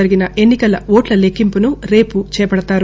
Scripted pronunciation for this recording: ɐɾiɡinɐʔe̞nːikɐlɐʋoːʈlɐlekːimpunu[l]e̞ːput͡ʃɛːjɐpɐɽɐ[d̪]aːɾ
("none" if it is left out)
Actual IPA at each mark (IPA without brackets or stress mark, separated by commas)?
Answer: ɾ, t̪